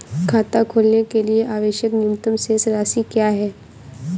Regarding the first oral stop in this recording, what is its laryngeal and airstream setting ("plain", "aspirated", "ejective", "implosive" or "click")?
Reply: aspirated